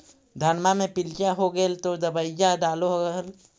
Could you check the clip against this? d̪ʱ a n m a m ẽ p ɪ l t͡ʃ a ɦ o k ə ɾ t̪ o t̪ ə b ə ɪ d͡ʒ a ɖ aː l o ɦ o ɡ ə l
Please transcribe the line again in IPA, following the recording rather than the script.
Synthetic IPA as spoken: d̪ʱ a n m a m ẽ p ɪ l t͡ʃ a ɦ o ɡ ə l t̪ o d̪ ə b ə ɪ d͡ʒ a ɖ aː l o ɦ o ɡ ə l